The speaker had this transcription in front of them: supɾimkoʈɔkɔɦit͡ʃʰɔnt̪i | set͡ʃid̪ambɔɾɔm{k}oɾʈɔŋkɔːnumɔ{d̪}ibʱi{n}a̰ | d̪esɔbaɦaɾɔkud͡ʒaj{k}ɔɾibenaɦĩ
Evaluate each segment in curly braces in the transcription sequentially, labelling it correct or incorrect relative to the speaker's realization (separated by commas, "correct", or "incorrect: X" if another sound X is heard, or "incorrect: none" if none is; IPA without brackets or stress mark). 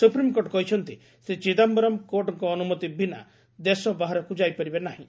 correct, incorrect: t̪, correct, incorrect: p